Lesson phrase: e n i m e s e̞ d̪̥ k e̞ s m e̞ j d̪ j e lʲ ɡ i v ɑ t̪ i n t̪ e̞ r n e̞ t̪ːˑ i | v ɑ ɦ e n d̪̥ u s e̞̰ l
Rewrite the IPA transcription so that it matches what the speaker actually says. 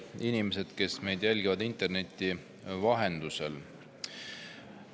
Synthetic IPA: i n i m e s e̞ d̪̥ k e̞ s m e̞ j d̪ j æ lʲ ɡ i v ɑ d̪ i n t̪ e̞ r n e̞ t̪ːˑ i | v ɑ ɦ e n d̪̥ u s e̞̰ l